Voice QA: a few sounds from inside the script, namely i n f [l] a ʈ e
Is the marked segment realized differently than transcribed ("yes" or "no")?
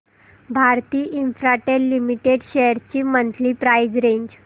yes